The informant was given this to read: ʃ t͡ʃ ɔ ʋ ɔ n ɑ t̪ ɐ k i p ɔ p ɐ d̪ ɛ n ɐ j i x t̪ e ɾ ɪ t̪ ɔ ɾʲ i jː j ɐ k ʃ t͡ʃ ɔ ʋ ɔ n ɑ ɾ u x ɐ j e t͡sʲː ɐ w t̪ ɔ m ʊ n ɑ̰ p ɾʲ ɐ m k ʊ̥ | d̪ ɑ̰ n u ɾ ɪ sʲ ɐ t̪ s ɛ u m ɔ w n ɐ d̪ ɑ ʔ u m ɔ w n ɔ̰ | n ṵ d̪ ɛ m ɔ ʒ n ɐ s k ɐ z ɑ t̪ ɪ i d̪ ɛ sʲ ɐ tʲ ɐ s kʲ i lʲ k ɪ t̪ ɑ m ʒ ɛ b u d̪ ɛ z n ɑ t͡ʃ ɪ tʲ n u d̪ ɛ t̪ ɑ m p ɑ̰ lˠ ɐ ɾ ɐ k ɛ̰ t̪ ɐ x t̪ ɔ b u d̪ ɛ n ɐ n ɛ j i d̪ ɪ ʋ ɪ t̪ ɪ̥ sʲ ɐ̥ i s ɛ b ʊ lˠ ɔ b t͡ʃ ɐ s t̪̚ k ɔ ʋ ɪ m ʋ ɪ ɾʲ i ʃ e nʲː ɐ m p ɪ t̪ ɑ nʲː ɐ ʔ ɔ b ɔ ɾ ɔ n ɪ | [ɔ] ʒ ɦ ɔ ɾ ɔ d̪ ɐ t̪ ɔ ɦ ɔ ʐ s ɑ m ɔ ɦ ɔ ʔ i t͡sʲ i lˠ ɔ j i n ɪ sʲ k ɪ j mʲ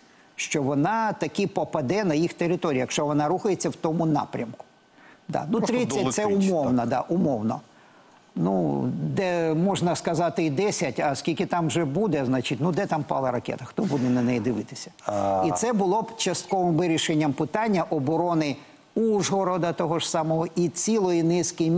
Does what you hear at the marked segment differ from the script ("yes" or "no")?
yes